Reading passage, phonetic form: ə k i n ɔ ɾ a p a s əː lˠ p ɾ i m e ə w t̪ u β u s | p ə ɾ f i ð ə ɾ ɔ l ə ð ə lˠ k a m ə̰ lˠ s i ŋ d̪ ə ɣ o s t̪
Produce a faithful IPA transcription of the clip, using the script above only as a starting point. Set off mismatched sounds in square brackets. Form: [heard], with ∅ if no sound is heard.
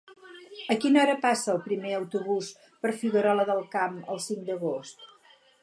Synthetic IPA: ə k i n ɔ ɾ [ə] p a s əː lˠ p ɾ i m e ə w t̪ u β u s | p ə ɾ f i [ɣ] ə ɾ ɔ l ə ð ə lˠ k a m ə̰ lˠ s i ŋ d̪ ə ɣ o s t̪

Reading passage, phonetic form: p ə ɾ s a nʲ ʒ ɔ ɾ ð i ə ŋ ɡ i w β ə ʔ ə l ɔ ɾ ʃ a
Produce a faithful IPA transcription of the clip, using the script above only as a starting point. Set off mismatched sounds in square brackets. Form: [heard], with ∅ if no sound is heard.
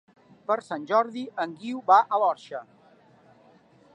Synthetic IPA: p ə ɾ s a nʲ ʒ ɔ ɾ ð i ə ŋ ɡ i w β [a] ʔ ə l ɔ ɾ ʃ [ə]

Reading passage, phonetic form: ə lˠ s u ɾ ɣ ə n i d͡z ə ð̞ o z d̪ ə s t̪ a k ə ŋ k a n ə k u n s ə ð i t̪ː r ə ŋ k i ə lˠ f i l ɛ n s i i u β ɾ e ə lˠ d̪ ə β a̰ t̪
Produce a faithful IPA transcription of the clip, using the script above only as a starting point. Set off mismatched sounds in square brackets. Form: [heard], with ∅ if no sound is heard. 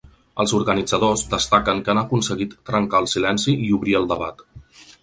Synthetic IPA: ə lˠ [z] u ɾ ɣ ə n i d͡z ə ð̞ o z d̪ ə s t̪ a k ə ŋ k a n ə k u n s ə [ɣ] i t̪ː [ɾ] ə ŋ k [a] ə lˠ [s] i l ɛ n s i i u β ɾ [i] ə lˠ d̪ ə β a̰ t̪

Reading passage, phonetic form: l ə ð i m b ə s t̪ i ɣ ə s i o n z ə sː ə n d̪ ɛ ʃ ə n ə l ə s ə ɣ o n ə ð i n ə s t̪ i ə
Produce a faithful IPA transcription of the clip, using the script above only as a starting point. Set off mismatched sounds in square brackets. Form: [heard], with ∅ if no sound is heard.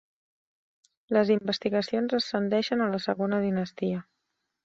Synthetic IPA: l ə [z] i m b ə s t̪ i ɣ ə s i o n z ə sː ə n d̪ ɛ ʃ ə n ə l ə s ə ɣ o n ə ð i n ə s t̪ i ə

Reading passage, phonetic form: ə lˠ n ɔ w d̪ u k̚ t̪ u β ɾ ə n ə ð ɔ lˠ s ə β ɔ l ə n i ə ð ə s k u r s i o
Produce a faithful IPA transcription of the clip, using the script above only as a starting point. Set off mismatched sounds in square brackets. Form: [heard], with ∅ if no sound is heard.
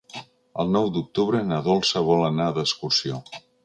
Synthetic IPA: ə lˠ n ɔ w d̪ u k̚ t̪ u β ɾ ə n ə ð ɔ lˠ s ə β ɔ l ə n [a] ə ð ə s k u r s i o

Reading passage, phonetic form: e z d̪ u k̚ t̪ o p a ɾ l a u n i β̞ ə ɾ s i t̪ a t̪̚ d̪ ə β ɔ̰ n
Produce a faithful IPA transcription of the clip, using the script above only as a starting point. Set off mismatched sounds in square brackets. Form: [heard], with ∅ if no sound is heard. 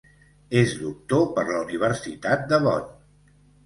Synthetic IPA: e z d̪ u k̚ t̪ o p [ə] ɾ l [ə] u n i β̞ ə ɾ s i t̪ a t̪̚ d̪ ə β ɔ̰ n

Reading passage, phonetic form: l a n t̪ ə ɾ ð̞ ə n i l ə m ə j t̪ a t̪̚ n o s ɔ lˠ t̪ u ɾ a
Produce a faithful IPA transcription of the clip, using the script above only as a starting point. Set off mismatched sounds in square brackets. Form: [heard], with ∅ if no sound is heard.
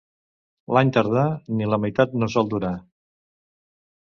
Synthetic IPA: l a [ɲ] t̪ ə ɾ ð̞ [a] n i l ə m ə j t̪ a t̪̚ n o s ɔ lˠ [d̪] u ɾ a

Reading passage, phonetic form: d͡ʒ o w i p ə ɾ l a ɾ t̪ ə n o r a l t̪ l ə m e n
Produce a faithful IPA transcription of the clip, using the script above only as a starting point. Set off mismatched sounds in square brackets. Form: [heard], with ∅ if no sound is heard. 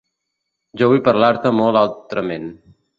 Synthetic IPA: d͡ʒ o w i p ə ɾ l a ɾ t̪ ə [m] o [l] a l t̪ [ɾ] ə m e n

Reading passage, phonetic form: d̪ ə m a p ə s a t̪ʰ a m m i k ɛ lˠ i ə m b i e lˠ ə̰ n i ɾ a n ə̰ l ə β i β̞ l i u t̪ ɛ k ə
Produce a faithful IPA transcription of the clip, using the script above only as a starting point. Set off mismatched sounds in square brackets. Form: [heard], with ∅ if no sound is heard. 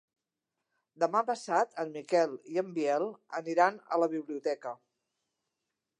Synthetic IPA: d̪ ə m a p ə s a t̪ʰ [ə] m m i k ɛ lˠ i ə m b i [ɛ] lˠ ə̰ n i ɾ a n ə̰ l ə β i β̞ l i u t̪ ɛ k ə

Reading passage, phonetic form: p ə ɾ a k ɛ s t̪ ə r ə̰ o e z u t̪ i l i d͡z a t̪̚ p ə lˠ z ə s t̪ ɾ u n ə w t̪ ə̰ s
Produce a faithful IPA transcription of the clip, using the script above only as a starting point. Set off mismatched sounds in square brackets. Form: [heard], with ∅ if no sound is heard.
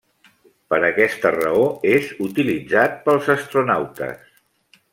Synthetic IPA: p ə ɾ [ə] k ɛ s t̪ ə r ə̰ o e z u t̪ i l i d͡z a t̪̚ p ə lˠ z ə s t̪ ɾ u n [a] w t̪ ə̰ s

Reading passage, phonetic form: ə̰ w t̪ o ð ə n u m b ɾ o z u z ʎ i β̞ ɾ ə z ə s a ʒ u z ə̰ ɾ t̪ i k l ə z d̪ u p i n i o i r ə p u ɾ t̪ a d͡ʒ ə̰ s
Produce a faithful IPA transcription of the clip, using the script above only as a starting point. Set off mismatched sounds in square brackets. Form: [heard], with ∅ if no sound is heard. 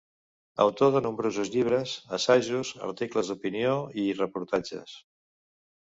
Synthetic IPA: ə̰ w t̪ o ð ə n u m b ɾ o z u z ʎ i β̞ ɾ ə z ə s a ʒ u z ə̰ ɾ t̪ i k l ə z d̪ u p i n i o i r ə p u ɾ t̪ a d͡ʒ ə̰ s

